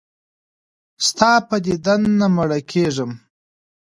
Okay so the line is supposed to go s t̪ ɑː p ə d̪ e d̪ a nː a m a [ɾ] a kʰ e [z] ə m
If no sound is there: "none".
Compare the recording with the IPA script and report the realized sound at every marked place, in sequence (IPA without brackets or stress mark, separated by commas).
ɽ, ʐ